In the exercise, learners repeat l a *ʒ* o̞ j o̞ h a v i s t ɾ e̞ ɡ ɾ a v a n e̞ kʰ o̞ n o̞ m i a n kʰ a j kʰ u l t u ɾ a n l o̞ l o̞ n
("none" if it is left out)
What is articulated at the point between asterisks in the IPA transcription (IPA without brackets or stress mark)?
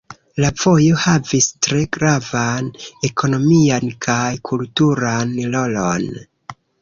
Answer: v